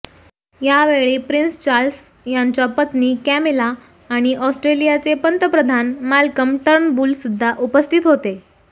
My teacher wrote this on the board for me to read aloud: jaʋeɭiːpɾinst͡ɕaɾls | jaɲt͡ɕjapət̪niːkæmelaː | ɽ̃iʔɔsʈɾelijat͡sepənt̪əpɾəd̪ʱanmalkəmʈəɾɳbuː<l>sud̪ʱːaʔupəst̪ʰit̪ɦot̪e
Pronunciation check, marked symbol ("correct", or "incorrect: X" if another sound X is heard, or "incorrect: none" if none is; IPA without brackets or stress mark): correct